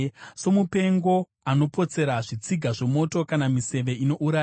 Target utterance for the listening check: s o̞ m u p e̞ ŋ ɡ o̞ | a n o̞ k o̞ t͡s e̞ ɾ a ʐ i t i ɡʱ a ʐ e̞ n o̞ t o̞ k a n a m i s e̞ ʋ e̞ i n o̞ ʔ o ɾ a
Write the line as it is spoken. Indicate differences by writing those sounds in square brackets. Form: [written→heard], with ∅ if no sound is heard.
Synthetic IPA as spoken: s o̞ m u p e̞ ŋ ɡ o̞ | a n o̞ [k→p] o̞ t͡s e̞ ɾ a ʐ i [t→t͡s] i ɡʱ a ʐ e̞ [n→m] o̞ t o̞ k a n a m i s e̞ ʋ e̞ i n o̞ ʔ [o→u] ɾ a